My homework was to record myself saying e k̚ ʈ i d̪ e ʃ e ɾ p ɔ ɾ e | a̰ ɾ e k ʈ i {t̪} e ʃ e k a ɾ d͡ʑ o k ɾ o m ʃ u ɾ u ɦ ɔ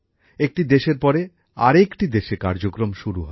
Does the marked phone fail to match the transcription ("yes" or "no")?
yes